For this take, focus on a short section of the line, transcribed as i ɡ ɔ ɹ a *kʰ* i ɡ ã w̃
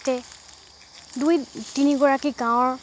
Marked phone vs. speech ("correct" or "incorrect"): incorrect